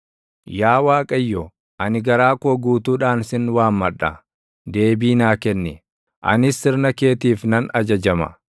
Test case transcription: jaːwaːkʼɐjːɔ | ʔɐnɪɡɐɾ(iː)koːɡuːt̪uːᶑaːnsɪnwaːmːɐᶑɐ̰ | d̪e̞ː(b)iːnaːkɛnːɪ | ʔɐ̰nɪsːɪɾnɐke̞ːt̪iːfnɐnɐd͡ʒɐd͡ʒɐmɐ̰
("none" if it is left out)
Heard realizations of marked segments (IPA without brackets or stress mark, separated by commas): aː, b